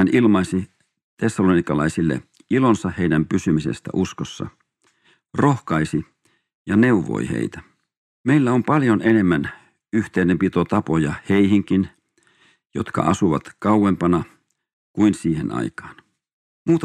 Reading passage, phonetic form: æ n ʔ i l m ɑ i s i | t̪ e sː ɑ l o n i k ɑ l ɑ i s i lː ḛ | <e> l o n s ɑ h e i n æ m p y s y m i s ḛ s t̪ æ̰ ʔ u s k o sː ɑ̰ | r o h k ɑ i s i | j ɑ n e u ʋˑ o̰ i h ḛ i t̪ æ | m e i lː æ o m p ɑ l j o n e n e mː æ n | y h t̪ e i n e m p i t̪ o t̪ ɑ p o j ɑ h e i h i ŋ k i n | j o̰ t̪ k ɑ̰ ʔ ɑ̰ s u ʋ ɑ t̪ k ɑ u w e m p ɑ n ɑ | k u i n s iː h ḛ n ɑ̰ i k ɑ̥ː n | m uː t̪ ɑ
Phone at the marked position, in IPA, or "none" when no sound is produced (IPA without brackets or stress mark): i